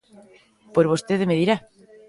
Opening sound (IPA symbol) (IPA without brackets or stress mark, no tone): p